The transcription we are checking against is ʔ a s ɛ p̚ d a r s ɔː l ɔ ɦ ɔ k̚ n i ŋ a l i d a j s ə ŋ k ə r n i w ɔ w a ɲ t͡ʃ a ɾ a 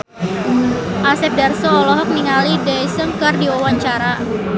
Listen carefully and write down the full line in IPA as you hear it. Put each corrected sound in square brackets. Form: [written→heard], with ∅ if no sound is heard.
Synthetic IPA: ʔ a s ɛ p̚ d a r s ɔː l ɔ ɦ ɔ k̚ n i ŋ a l i d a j s ə ŋ k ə r [n→d] i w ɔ w a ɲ t͡ʃ a ɾ a